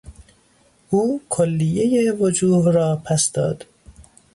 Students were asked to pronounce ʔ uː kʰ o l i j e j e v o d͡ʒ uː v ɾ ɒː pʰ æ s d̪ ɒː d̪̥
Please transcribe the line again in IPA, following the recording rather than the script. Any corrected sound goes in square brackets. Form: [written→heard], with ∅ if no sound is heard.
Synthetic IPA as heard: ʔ uː kʰ o [l→lː] i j e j e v o d͡ʒ uː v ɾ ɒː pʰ æ s d̪ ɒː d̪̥